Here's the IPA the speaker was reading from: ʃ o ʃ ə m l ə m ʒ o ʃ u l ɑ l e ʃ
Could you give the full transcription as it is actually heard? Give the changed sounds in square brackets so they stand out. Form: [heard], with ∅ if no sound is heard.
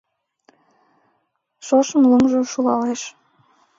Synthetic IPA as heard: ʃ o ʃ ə m l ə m ʒ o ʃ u l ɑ l e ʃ

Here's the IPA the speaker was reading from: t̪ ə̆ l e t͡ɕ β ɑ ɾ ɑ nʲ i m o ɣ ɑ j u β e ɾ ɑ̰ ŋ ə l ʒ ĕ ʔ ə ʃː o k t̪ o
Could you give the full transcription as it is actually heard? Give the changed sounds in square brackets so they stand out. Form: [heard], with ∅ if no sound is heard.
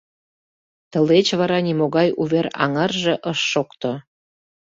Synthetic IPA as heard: t̪ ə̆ l e t͡ɕ β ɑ ɾ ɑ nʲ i m o ɣ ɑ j u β e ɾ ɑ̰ ŋ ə [r] ʒ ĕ ʔ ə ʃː o k t̪ o

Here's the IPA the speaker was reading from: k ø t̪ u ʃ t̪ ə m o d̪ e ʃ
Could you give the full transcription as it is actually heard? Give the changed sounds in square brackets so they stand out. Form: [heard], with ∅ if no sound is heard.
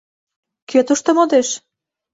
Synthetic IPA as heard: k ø t̪ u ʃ t̪ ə m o d̪ e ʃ

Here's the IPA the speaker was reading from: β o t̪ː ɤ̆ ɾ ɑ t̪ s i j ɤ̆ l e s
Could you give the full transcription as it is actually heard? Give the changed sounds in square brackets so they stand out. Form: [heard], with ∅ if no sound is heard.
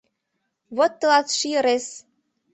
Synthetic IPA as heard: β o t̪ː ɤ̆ [l] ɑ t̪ [ʃ] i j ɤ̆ [ɾ] e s

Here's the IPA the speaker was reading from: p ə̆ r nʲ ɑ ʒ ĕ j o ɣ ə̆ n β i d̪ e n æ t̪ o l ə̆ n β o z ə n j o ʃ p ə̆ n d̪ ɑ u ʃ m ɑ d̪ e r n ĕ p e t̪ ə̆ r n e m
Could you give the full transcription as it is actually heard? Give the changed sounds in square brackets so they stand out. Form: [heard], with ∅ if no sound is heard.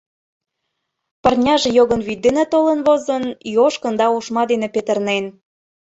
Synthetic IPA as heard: p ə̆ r nʲ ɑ ʒ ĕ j o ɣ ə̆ n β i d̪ e n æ t̪ o l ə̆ n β o z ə n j o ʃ [k] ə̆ n d̪ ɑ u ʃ m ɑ d̪ e [∅] n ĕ p e t̪ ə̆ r n e [n]

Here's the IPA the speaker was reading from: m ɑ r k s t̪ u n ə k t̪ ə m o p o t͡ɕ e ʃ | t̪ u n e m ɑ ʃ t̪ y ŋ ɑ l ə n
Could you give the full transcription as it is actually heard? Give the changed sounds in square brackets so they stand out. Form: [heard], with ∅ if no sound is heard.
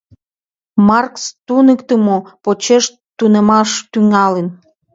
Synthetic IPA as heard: m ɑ r k s t̪ u n ə k t̪ ə m o p o t͡ɕ e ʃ | t̪ u n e m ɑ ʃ t̪ y ŋ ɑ l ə n

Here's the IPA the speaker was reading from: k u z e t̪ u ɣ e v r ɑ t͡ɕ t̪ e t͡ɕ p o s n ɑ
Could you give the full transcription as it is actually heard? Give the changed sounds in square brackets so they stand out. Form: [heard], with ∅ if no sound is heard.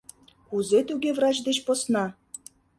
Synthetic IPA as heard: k u z e t̪ u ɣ e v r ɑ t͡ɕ [d̪] e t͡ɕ p o s n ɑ

